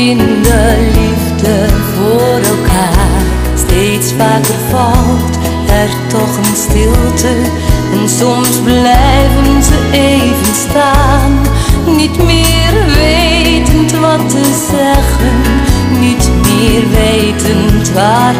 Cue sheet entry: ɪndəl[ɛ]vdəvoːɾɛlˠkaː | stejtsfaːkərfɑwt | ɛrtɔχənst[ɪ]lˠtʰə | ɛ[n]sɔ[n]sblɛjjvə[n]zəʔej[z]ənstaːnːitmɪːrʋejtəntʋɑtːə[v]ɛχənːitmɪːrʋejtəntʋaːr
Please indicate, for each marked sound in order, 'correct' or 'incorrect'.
incorrect, correct, correct, incorrect, correct, incorrect, incorrect

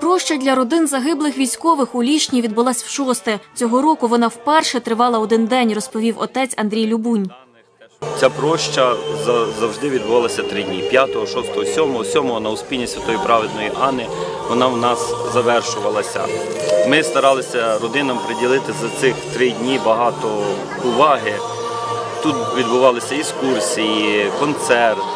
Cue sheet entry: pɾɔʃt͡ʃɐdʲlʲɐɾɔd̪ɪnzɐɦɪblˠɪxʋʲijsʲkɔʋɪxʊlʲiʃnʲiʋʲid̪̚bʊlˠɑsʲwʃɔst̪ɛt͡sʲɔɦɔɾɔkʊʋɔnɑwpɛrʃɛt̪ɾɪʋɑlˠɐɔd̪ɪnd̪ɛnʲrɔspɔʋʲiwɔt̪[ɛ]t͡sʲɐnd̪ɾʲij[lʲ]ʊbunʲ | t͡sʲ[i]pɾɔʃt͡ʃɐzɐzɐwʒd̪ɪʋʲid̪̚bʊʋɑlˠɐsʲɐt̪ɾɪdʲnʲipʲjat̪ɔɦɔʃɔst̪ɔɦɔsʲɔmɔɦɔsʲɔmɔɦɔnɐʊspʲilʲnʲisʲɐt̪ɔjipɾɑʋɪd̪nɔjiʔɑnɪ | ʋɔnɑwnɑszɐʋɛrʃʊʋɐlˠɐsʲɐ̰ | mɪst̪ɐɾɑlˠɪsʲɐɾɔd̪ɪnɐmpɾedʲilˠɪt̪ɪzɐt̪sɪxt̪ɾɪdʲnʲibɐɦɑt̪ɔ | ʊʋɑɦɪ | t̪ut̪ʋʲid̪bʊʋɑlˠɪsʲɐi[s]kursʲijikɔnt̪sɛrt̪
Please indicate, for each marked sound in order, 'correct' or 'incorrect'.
correct, correct, incorrect, correct

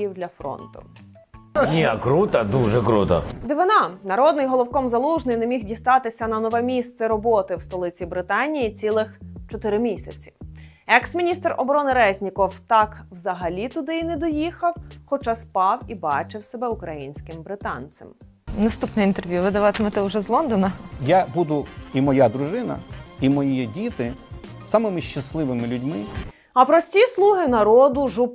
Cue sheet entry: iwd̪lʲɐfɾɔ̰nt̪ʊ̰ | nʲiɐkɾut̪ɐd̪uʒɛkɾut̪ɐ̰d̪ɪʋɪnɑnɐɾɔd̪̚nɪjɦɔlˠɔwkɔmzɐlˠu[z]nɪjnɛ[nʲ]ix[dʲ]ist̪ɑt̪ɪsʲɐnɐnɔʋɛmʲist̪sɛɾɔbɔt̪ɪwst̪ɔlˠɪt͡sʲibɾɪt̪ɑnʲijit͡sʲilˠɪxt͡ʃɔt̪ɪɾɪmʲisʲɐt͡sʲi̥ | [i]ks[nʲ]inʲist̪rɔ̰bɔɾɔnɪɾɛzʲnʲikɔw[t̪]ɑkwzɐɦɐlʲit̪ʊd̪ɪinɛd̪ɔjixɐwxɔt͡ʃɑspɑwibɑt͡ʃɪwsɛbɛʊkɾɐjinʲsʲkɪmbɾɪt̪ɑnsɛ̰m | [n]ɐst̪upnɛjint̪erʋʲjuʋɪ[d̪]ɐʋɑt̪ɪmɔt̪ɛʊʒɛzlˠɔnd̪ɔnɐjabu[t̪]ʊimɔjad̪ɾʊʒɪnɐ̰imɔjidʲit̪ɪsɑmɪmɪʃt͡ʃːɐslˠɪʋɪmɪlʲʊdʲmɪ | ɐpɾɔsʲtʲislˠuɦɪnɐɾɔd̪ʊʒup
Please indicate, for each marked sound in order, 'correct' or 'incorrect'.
incorrect, incorrect, correct, incorrect, incorrect, correct, correct, correct, incorrect

